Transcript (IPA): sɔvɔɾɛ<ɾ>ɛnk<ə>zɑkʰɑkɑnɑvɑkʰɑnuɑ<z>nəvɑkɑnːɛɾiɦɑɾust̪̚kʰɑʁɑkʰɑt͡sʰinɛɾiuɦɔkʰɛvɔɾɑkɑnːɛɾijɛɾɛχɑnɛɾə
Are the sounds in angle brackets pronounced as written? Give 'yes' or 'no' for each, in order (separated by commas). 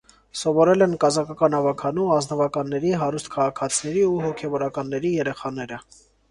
no, no, yes